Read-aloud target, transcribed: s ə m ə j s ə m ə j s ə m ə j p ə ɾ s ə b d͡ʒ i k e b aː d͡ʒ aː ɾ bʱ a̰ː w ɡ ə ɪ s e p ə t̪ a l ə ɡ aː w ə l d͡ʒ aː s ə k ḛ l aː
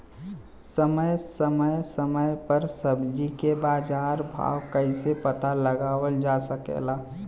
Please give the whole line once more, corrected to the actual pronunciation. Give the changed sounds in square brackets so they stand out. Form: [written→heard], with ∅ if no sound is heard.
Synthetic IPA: s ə m ə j s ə m ə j s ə m ə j p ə ɾ s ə b d͡ʒ i k e b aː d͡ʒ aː ɾ bʱ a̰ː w [ɡ→k] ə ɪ s e p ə t̪ a l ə ɡ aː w ə l d͡ʒ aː s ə k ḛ l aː